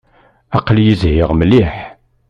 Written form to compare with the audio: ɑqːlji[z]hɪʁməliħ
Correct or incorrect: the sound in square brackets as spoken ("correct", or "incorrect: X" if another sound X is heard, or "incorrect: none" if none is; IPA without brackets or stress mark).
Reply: correct